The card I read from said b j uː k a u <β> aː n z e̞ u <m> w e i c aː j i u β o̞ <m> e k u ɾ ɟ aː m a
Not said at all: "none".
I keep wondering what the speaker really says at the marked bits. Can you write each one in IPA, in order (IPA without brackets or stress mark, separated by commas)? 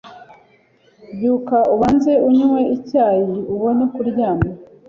β, ɲ, n